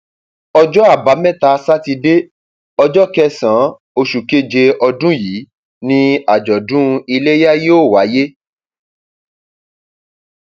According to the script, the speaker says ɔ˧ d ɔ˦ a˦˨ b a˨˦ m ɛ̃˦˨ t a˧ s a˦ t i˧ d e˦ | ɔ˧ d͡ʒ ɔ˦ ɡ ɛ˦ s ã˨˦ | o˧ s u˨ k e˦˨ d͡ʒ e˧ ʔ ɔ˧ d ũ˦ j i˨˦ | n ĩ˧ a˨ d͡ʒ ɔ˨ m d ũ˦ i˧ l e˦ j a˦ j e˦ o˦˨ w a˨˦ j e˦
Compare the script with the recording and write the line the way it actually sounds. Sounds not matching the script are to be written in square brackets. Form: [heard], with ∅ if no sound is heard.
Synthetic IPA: ɔ˧ [d͡ʒ] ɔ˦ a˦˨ b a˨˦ m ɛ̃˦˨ t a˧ s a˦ t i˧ d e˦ | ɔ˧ d͡ʒ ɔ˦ [k] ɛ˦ s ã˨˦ | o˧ [ʃ] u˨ k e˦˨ d͡ʒ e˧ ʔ ɔ˧ d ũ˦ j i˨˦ | n ĩ˧ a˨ d͡ʒ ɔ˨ [∅] d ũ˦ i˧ l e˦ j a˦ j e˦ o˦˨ w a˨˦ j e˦

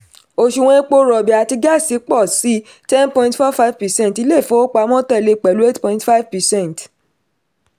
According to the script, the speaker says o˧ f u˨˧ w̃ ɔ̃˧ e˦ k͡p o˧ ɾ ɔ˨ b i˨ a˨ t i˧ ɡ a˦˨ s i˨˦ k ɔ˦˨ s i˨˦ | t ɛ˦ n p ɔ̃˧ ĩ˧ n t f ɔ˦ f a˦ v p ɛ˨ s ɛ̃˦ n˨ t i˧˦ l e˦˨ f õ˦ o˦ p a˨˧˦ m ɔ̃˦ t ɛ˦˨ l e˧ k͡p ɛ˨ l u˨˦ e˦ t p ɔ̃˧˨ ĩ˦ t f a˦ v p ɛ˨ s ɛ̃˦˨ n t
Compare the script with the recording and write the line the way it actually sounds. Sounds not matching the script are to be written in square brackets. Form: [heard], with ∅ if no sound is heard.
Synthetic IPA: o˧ [ʃ] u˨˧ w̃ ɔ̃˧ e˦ k͡p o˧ ɾ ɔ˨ b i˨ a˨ t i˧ ɡ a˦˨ s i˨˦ [k͡p] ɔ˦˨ s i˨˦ | t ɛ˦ n p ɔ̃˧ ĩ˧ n t f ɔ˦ f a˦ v p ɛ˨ s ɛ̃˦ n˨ t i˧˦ l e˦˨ f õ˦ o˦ [k͡p] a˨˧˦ m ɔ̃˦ t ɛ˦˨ l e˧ k͡p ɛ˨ l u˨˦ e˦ t p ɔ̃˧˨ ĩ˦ t f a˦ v p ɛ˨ s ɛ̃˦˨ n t

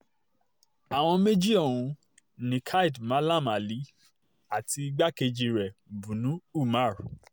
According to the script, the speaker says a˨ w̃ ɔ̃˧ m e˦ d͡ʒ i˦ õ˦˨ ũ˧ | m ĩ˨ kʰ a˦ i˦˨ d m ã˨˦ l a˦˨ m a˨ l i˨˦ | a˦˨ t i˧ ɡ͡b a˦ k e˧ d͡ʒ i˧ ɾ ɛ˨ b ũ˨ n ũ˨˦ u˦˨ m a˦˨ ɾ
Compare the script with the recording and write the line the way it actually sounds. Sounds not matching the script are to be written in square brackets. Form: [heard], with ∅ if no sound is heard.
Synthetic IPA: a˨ w̃ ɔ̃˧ m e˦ d͡ʒ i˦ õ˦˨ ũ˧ | [n] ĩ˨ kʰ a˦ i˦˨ d m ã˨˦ l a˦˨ m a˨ l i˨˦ | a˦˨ t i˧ ɡ͡b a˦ k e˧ d͡ʒ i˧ ɾ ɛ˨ b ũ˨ n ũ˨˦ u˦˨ m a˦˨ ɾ

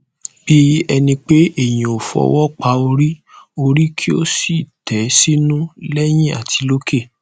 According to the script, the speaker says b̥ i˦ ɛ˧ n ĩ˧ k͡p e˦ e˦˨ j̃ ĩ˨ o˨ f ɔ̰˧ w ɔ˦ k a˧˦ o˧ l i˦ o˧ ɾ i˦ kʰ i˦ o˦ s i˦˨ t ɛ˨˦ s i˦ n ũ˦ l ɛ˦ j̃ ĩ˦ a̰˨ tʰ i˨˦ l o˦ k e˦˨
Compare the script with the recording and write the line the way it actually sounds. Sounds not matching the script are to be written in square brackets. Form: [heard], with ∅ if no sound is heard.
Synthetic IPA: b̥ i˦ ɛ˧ n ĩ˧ k͡p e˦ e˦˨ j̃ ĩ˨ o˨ f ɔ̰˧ w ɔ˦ [k͡p] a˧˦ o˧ [ɾ] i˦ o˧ ɾ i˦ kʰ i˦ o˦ s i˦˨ t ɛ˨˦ s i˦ n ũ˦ l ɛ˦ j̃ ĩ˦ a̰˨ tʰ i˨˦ l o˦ k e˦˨

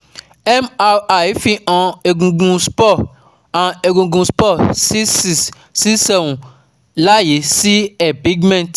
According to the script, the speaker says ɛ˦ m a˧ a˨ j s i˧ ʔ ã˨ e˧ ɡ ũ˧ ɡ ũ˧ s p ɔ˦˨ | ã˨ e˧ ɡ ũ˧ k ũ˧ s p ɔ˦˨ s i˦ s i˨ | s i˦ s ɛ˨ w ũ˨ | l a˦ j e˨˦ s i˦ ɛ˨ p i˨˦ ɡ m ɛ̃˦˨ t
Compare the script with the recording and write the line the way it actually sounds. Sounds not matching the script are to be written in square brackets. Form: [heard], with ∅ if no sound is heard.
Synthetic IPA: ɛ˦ m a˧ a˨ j [f] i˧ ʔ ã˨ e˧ ɡ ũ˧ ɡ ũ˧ s p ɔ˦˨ | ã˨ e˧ ɡ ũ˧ [ɡ] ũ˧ s p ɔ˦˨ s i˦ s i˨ | s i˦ s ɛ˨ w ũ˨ | l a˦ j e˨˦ s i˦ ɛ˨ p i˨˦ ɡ m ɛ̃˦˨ t

